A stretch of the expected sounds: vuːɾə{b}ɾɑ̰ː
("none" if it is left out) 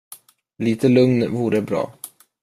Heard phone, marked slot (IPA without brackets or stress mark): b